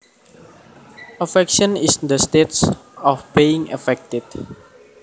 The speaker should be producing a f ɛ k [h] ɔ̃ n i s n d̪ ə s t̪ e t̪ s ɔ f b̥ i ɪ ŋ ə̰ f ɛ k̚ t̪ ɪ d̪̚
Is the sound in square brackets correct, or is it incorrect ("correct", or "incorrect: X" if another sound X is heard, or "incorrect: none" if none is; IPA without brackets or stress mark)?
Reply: incorrect: ʃ